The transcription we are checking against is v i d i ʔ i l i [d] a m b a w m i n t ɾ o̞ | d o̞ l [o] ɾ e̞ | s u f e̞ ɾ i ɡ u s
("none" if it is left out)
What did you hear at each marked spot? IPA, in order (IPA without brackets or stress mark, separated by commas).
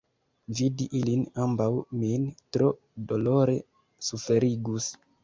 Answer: n, o